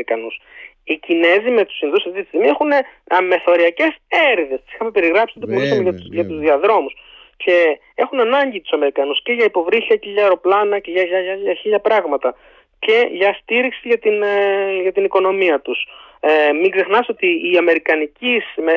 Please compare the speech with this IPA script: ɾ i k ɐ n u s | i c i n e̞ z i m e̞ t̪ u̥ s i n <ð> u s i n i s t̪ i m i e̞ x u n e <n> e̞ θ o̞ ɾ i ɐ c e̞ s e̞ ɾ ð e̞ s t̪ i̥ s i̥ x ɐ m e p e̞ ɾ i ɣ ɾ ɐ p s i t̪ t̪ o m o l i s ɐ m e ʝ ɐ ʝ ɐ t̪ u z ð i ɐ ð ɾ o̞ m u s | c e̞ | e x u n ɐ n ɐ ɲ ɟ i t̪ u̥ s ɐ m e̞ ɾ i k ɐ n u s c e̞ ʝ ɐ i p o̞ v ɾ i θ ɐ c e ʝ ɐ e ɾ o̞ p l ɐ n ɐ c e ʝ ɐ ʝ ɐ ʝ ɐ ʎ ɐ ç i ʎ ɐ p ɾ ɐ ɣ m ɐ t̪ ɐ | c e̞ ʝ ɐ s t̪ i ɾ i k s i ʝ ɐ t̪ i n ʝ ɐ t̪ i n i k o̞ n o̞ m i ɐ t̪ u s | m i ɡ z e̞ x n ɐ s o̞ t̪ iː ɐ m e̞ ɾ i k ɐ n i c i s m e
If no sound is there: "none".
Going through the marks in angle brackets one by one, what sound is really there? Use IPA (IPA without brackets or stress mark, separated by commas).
ð, m